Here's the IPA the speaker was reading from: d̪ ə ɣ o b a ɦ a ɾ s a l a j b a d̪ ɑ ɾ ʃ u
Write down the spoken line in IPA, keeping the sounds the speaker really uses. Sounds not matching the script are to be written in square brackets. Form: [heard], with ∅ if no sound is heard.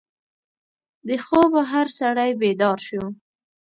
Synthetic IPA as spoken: d̪ ə [x] o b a ɦ a ɾ s a [ɽ] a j b [e] d̪ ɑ ɾ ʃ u